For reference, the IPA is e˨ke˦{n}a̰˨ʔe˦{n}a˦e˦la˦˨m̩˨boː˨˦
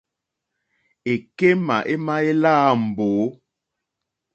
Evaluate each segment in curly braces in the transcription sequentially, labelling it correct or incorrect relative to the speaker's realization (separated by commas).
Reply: incorrect, incorrect